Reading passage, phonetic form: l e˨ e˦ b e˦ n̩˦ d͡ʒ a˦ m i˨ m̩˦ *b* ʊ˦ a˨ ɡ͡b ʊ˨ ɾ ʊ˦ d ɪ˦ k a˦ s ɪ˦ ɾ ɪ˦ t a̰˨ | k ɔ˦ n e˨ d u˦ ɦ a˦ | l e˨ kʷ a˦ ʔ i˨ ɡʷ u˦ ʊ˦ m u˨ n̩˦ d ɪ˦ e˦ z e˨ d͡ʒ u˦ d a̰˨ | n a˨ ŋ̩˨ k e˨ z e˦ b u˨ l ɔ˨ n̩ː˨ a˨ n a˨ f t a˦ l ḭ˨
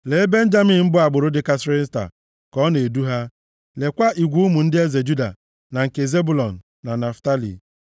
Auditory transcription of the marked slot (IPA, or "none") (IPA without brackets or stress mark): b